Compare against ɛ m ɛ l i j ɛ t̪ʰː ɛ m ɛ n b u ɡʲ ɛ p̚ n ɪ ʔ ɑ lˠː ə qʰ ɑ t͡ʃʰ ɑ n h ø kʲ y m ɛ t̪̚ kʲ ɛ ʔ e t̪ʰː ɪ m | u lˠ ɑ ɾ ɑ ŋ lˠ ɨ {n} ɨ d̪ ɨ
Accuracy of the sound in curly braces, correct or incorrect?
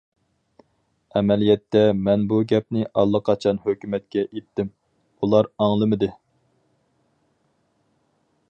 incorrect